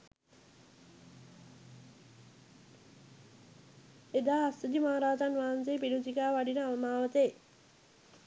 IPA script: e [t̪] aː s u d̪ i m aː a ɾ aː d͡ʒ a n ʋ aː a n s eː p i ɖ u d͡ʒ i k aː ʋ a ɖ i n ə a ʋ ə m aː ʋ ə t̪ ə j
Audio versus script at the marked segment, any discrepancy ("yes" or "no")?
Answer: yes